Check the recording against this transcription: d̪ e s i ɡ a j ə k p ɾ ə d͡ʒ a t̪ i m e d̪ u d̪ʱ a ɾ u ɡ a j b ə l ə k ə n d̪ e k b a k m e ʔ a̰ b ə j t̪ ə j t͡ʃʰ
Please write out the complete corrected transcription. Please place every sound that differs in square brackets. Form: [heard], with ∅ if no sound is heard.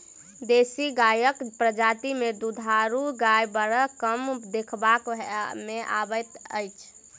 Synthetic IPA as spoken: d̪ e s i ɡ a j ə k p ɾ ə d͡ʒ a t̪ i m e d̪ u d̪ʱ a ɾ u ɡ a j b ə [ɾ] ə k ə [m] d̪ e [kʰ] b a k m e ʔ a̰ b ə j t̪ ə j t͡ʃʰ